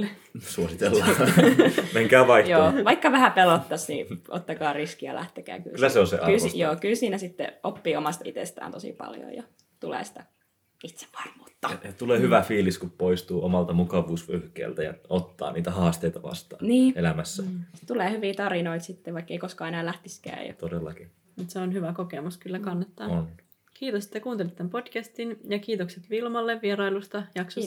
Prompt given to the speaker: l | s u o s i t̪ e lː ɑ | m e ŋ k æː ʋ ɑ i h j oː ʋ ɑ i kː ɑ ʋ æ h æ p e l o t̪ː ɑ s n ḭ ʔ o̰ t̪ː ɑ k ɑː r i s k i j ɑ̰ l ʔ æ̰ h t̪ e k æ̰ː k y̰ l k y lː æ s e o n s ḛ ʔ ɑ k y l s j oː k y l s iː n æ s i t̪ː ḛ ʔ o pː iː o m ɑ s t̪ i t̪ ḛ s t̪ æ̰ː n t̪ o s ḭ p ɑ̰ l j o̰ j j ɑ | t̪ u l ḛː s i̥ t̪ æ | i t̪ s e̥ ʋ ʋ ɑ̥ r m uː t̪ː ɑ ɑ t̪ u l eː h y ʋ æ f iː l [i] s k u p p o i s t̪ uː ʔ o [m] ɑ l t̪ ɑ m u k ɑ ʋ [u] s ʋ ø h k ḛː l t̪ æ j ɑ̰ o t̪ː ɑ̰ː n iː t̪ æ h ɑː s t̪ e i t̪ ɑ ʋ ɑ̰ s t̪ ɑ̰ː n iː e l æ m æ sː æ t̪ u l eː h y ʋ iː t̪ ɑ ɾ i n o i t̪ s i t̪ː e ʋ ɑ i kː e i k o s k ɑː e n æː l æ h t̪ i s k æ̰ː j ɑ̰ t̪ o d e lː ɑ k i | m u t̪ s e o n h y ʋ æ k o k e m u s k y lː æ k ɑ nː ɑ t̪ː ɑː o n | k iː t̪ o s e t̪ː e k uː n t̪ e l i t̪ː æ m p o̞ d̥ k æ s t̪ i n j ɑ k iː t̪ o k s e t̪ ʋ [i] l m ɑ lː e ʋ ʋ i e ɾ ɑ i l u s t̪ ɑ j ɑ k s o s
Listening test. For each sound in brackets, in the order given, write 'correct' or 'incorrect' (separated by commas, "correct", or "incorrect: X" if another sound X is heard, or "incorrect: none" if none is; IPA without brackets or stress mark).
correct, correct, incorrect: uː, correct